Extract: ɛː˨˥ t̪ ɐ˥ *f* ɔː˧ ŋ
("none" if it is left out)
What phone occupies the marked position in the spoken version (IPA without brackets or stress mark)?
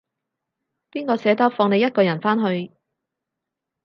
f